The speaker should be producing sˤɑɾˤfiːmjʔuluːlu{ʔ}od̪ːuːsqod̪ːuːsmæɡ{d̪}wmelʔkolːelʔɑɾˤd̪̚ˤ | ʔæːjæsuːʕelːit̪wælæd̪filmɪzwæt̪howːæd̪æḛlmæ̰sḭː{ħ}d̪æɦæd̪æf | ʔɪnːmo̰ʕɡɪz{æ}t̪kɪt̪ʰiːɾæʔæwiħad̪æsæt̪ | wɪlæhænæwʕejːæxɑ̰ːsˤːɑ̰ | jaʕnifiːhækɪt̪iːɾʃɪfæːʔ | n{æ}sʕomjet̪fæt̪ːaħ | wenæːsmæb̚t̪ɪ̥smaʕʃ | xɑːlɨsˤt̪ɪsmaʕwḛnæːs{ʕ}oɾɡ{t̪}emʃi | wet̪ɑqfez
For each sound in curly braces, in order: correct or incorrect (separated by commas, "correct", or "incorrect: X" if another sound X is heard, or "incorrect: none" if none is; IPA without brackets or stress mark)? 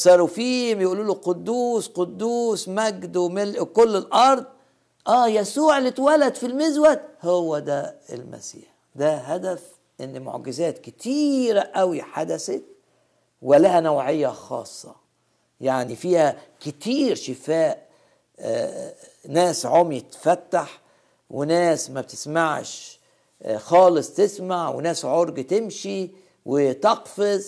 incorrect: q, correct, correct, incorrect: æː, incorrect: æː, correct, correct